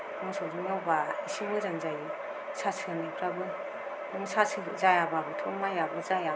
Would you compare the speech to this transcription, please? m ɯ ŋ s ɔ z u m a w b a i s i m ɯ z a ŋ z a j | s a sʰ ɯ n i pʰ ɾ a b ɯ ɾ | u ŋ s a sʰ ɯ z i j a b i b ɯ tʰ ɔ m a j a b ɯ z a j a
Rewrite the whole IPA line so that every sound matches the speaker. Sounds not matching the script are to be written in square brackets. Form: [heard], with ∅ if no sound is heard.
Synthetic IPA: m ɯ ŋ s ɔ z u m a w b a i s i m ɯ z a ŋ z a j | s a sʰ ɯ n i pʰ ɾ a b ɯ [∅] | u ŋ s a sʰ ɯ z [a] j a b [a] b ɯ tʰ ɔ m a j a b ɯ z a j a